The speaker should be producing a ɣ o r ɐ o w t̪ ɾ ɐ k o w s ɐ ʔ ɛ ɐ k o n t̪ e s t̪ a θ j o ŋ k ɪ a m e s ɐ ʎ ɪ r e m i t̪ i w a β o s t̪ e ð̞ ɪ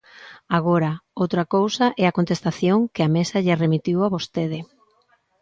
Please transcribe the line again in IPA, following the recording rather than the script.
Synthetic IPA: a ɣ o ɾ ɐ o w t̪ ɾ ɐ k o w s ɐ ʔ ɛ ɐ k o n t̪ e s t̪ a θ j o ŋ k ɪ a m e s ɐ ʎ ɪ r e m i t̪ i w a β o s t̪ e ð̞ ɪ